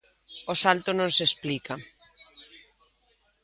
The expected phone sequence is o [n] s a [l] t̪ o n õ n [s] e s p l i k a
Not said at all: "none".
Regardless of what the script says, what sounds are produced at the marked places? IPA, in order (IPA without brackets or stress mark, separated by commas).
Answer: none, l, s